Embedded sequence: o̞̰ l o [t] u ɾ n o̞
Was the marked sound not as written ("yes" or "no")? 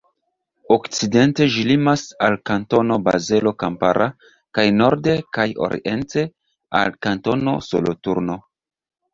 no